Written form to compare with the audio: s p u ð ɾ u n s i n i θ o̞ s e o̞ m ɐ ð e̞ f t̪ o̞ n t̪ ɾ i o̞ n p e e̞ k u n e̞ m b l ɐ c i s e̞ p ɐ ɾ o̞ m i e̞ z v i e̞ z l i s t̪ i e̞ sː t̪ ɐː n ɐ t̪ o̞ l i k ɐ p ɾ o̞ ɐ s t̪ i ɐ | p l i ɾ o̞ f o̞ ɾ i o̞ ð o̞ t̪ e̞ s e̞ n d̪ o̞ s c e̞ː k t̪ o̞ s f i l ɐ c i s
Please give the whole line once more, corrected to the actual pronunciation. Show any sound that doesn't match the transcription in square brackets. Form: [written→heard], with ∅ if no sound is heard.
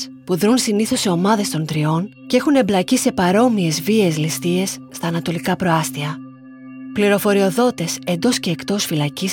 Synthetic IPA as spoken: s p u ð ɾ u n s i n i θ o̞ s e o̞ m ɐ ð e̞ [f→s] t̪ o̞ n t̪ ɾ i o̞ n [p→c] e e̞ [k→x] u n e̞ m b l ɐ c i s e̞ p ɐ ɾ o̞ m i e̞ z v i e̞ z l i s t̪ i e̞ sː t̪ ɐː n ɐ t̪ o̞ l i k ɐ p ɾ o̞ ɐ s t̪ i ɐ | p l i ɾ o̞ f o̞ ɾ i o̞ ð o̞ t̪ e̞ s e̞ n d̪ o̞ s c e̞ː k t̪ o̞ s f i l ɐ c i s